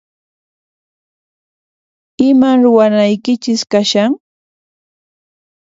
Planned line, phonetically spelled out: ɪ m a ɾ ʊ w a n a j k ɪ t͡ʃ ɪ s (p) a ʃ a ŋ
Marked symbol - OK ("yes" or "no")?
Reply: no